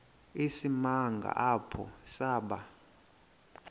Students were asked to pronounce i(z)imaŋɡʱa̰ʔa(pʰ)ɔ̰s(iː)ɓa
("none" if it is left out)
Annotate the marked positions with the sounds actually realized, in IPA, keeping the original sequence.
s, pʰ, aː

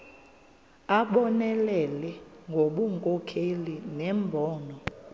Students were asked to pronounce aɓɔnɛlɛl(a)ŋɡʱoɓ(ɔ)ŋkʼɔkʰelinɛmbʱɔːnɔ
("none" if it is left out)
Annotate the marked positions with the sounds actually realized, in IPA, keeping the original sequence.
ɛ, u

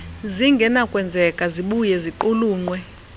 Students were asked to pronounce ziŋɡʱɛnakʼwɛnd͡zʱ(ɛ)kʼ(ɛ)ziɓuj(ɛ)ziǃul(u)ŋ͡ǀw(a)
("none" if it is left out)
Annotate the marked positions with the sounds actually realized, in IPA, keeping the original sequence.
ɛ, a, ɛ, uː, ɛ

